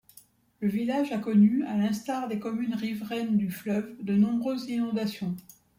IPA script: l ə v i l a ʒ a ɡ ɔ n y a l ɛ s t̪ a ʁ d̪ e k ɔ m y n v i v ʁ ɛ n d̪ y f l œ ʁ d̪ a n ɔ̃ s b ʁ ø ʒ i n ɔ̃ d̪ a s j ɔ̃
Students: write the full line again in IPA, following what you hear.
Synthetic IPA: l ə v i l a ʒ a k ɔ n y a l ɛ̃ s t̪ a ʁ d̪ e k ɔ m y n ʁ i v ʁ ɛ n d̪ y f l œ v d̪ ə n ɔ̃ b ʁ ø z i n ɔ̃ d̪ a s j ɔ̃